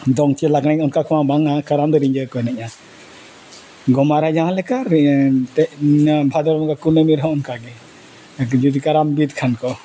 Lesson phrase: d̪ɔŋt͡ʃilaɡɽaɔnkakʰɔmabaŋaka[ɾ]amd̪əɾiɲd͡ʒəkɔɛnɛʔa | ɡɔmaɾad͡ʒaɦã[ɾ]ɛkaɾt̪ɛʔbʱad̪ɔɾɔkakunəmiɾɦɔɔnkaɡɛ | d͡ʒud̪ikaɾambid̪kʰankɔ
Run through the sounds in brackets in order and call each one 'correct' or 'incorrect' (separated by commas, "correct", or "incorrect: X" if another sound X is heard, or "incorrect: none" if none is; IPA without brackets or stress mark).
correct, incorrect: l